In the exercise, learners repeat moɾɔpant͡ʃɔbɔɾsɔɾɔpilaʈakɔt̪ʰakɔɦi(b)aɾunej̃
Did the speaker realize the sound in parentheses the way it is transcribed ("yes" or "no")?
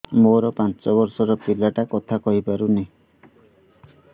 no